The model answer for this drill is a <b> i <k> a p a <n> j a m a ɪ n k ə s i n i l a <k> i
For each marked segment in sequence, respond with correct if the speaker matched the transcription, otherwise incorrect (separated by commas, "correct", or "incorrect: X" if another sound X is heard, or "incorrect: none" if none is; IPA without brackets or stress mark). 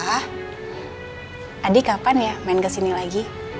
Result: incorrect: d, correct, correct, incorrect: ɡ